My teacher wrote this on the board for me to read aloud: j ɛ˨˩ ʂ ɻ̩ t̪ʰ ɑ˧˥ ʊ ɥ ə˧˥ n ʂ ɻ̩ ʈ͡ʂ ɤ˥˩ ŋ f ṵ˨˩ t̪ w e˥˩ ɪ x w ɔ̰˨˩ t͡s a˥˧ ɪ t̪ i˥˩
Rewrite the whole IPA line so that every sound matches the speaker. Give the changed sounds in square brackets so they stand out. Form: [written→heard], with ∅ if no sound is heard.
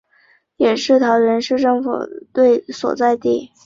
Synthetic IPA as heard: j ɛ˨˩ ʂ ɻ̩ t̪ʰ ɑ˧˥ ʊ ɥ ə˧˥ n ʂ ɻ̩ ʈ͡ʂ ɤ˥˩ ŋ f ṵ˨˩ t̪ w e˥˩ ɪ [x→s] w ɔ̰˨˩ t͡s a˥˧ ɪ t̪ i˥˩